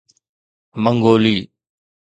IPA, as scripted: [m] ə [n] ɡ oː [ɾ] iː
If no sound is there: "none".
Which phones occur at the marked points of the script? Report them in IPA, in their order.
m, ŋ, l

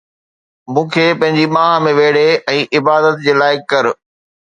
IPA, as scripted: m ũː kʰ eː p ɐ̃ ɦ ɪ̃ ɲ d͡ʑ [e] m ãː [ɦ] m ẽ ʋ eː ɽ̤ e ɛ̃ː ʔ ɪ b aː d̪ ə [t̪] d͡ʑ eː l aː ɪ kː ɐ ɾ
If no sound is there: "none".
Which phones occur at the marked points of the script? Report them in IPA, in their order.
i, ɦ, t̪

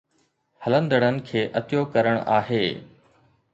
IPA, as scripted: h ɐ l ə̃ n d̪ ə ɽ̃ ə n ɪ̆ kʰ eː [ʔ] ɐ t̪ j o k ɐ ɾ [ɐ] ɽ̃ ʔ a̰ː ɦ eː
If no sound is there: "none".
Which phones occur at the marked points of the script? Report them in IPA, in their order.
ʔ, ə

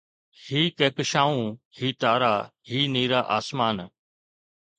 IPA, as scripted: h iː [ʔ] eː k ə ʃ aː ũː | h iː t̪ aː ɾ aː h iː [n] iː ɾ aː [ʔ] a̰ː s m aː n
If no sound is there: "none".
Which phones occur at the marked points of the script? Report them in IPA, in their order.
k, n, ʔ

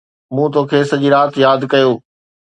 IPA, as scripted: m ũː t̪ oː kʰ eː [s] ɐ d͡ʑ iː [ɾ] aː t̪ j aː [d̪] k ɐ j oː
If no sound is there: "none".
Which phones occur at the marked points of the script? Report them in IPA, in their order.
s, ɾ, d̪

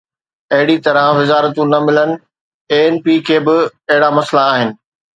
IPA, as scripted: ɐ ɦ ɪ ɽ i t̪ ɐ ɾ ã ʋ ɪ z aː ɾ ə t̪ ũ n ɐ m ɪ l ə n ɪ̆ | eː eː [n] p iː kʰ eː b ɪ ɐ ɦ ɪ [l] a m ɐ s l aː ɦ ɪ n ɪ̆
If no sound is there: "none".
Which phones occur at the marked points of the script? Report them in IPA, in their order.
n, ɽ

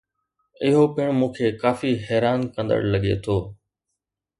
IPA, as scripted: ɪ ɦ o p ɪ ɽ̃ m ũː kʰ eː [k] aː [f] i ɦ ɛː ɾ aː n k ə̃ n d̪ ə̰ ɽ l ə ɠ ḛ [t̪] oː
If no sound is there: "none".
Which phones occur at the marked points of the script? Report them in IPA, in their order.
k, f, t̪ʰ

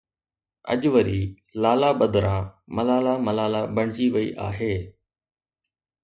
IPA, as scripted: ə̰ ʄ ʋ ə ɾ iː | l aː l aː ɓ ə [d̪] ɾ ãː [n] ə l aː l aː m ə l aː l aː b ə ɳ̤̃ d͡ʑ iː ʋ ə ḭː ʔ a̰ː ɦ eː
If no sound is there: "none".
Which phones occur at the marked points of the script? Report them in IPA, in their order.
d̪, m

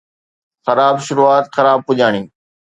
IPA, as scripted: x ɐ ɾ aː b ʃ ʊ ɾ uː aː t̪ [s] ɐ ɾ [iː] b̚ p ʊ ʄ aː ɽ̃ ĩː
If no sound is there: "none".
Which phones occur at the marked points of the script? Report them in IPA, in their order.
x, aː

